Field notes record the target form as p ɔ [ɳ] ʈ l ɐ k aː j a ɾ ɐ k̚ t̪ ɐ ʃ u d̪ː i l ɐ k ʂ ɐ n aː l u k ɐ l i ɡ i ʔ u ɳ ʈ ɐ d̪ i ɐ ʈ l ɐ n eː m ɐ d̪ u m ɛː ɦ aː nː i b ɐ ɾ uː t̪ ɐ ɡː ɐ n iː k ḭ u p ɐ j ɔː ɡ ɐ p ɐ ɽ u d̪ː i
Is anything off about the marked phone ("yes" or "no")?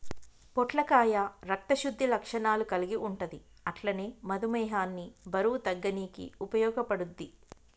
yes